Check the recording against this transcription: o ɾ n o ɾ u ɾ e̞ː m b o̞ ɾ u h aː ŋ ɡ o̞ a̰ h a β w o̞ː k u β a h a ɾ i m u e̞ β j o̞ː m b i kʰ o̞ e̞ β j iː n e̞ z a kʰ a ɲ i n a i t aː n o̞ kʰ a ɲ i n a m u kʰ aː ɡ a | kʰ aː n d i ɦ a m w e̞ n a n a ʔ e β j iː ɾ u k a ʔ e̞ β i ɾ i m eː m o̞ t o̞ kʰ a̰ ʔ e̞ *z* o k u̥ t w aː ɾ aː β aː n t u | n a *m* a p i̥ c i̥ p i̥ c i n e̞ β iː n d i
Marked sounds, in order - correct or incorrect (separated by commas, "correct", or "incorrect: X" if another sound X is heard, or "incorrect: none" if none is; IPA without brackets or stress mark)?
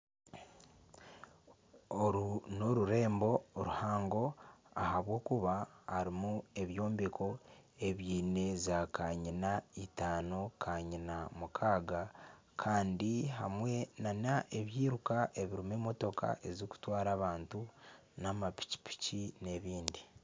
correct, correct